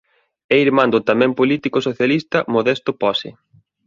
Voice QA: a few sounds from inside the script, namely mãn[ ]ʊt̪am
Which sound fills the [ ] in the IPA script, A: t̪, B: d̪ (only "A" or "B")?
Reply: B